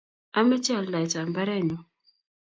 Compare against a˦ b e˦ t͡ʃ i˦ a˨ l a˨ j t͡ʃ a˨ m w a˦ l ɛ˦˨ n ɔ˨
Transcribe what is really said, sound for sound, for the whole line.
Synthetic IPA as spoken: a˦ m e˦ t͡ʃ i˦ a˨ l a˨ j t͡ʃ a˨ m b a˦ ɾ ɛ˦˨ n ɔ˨

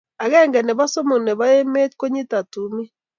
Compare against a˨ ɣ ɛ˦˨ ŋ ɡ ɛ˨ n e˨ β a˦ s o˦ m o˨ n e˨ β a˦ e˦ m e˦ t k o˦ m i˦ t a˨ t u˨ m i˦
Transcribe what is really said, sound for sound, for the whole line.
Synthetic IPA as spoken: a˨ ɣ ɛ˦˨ ŋ ɡ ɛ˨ n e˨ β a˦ s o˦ m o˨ n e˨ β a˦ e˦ m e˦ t k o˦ ɲ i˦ t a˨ t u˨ m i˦

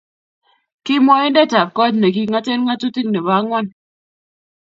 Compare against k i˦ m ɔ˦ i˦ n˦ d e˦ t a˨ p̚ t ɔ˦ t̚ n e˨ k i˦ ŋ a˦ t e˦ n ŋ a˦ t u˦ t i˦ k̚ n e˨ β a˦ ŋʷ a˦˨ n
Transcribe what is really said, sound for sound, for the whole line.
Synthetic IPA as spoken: k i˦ m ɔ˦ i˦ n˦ d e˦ t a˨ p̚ k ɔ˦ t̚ n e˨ k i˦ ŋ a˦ t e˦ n ŋ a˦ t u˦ t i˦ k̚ n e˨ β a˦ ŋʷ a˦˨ n

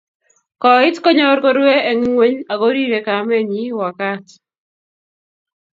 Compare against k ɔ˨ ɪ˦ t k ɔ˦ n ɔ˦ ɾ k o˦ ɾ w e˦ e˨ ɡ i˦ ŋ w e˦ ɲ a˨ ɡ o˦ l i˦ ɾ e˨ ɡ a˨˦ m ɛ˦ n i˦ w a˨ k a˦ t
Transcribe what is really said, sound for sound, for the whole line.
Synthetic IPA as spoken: k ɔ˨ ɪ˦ t k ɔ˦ ɲ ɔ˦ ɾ k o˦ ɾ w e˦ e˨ ŋ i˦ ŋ w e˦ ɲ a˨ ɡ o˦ ɾ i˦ ɾ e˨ k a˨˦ m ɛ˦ ɲ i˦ w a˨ k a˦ t

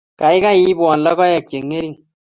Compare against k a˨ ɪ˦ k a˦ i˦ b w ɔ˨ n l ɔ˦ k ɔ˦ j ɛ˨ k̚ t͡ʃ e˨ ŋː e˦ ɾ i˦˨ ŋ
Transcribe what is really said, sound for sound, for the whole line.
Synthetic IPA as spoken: k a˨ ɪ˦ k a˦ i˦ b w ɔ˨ n l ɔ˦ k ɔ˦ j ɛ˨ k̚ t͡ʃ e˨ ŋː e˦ ɾ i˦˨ ŋ

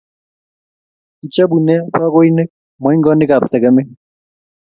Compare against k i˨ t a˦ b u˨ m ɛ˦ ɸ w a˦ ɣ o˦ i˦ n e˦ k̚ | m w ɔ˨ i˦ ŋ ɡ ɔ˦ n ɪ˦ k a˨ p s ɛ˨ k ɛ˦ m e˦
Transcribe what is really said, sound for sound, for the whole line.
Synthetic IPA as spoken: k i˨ t͡ʃ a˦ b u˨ n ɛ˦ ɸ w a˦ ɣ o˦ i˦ n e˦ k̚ | m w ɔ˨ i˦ ŋ ɡ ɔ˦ n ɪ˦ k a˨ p s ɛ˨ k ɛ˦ m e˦

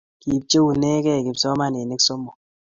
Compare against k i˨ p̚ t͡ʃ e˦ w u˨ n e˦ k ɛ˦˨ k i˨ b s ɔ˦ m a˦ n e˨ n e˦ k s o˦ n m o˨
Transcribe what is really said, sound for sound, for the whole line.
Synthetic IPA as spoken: k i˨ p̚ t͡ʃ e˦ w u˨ n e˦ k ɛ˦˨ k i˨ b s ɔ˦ m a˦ n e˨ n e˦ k s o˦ m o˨

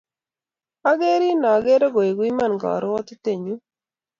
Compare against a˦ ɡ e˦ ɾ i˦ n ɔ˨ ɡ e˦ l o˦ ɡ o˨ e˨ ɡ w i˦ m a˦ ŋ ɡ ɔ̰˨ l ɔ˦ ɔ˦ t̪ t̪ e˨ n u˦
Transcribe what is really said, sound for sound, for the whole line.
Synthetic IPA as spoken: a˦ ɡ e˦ ɾ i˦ n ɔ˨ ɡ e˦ ɾ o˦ ɡ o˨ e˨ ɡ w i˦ m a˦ n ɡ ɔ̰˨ ɾ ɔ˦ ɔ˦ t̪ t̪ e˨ ɲ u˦

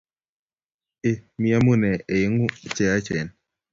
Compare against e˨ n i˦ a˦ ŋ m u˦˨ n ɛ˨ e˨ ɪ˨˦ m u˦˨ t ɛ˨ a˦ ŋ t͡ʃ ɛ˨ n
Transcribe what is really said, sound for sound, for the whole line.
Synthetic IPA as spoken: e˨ m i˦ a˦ m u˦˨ n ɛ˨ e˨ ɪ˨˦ ŋ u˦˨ t͡ʃ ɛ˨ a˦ t͡ʃ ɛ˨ n

